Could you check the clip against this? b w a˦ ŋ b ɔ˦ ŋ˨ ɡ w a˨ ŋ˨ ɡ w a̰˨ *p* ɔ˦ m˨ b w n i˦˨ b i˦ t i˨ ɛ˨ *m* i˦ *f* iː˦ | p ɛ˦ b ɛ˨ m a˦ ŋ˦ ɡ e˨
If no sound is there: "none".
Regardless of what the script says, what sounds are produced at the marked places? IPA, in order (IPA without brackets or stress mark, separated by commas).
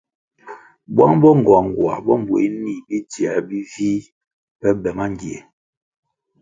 b, b, v